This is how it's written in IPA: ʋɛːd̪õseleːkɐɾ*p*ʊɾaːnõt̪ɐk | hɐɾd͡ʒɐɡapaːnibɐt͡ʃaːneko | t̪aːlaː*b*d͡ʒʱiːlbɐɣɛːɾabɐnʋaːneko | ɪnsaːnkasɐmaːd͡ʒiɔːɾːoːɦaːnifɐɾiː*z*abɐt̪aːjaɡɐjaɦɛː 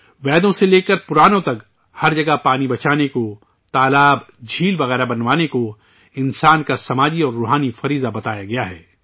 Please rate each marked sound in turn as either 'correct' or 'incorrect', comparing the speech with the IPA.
correct, correct, correct

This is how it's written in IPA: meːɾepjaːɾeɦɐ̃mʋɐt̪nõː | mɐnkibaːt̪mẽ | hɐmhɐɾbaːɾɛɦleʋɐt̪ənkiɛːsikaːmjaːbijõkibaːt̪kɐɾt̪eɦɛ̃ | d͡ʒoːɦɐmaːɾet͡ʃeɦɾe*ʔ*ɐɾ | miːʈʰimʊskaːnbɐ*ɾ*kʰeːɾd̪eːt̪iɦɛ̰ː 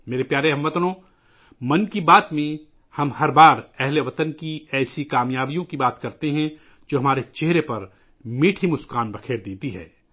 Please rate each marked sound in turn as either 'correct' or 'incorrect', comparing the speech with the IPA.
incorrect: p, incorrect: none

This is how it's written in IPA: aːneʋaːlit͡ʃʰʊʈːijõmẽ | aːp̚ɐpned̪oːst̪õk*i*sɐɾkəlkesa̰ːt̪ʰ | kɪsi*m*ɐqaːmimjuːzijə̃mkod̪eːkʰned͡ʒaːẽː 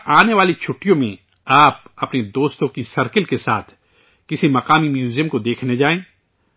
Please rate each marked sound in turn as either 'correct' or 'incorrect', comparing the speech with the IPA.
correct, correct

